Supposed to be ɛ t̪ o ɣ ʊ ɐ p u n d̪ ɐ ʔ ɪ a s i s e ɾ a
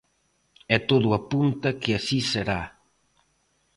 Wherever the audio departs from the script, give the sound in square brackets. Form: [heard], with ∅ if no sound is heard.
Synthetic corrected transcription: ɛ t̪ o [ð] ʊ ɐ p u n [t̪] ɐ [k] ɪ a s i s e ɾ a